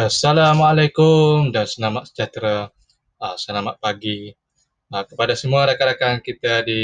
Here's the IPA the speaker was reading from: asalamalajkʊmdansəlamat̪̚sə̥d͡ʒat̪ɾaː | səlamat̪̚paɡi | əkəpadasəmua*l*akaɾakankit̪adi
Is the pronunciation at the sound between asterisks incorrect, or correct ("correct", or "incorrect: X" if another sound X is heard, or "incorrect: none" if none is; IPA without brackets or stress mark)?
incorrect: ɾ